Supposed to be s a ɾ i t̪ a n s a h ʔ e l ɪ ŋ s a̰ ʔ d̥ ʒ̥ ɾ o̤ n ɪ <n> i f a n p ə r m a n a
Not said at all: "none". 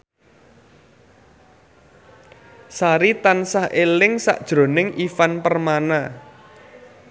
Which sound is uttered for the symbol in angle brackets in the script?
ŋ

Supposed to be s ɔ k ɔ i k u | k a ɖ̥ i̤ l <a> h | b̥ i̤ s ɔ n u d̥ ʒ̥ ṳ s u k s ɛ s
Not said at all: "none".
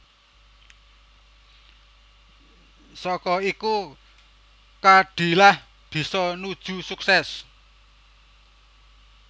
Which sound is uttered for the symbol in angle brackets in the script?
a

